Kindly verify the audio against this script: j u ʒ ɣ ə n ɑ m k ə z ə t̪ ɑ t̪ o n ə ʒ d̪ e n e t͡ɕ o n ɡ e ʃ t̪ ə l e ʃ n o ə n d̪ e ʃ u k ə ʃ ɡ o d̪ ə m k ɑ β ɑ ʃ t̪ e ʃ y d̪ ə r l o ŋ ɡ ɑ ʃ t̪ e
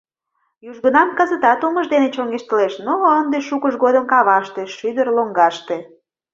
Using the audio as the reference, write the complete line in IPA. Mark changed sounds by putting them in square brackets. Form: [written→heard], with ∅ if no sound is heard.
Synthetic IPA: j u ʒ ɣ ə n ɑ m k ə z ə t̪ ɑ t̪ o [n→m] ə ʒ d̪ e n e t͡ɕ o [n→ŋ] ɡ e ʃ t̪ ə l e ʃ n o ə n d̪ e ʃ u k ə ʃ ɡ o d̪ ə m k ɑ β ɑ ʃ t̪ e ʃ y d̪ ə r l o ŋ ɡ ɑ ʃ t̪ e